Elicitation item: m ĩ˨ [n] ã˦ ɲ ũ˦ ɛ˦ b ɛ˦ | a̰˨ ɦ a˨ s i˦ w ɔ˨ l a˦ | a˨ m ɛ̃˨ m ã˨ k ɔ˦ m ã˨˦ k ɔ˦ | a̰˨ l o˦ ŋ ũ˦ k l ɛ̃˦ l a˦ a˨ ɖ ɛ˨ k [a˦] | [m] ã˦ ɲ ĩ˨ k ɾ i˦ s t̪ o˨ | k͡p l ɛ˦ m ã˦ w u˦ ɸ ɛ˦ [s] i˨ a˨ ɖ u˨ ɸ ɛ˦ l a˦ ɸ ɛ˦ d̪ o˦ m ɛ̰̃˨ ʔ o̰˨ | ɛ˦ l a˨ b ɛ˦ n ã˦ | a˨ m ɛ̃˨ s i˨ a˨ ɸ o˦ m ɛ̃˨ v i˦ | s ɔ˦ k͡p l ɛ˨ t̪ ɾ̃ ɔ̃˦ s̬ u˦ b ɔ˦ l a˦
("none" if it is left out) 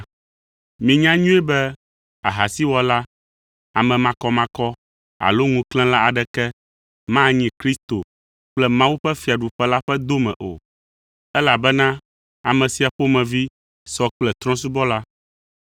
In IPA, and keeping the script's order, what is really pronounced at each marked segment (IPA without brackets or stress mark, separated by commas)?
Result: ɲ, ɛ˦, m, f